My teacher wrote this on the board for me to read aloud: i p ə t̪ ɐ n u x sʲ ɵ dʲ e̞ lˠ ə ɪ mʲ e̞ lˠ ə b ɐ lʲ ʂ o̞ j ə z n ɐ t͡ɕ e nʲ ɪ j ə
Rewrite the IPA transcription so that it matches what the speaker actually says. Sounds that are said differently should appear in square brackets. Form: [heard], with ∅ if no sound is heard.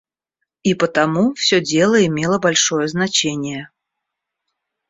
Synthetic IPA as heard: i p ə t̪ ɐ [m] u [f] sʲ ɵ dʲ e̞ lˠ ə ɪ mʲ e̞ lˠ ə b ɐ lʲ ʂ o̞ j ə z n ɐ t͡ɕ e nʲ ɪ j ə